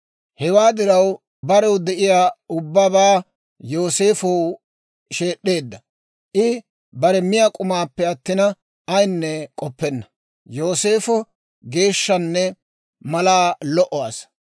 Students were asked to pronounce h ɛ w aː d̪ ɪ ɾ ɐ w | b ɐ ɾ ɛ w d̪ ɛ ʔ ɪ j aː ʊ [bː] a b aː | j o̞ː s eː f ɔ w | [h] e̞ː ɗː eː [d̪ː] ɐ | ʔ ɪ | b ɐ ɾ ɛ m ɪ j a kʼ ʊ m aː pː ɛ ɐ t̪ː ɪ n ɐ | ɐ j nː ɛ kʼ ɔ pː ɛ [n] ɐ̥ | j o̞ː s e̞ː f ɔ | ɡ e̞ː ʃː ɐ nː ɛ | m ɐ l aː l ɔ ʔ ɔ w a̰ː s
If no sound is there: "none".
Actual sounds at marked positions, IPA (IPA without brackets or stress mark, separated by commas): bː, ʃ, d̪ː, nː